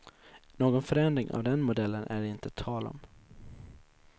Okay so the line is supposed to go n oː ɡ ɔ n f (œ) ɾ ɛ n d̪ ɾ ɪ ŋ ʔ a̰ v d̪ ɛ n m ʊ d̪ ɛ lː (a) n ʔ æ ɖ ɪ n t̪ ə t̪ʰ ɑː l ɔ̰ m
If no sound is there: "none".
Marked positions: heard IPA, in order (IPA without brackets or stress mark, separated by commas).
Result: œ, ə